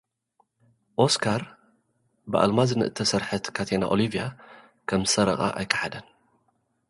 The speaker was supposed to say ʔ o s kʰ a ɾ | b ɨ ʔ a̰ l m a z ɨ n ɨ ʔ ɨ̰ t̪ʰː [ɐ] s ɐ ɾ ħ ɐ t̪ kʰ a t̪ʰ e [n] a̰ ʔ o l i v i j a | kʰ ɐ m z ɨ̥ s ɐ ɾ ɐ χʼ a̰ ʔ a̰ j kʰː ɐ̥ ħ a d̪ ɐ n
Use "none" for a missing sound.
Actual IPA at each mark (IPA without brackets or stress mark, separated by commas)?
ɐ, n